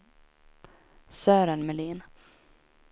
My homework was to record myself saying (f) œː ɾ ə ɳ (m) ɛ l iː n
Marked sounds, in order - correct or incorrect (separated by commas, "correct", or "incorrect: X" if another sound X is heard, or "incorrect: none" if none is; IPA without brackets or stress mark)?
incorrect: s, correct